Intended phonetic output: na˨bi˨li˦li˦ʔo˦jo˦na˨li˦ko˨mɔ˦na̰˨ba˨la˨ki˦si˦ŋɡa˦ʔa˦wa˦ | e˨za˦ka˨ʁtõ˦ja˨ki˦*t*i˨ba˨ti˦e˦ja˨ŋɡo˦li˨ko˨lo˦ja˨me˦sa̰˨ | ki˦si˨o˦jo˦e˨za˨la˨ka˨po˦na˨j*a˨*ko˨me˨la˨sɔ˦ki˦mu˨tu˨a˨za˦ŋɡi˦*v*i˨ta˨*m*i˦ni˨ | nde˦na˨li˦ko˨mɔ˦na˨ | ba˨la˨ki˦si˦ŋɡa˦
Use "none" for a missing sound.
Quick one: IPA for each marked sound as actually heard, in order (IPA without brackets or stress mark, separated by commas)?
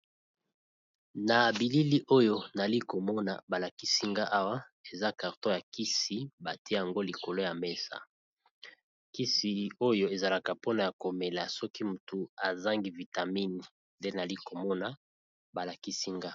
s, a˨, v, m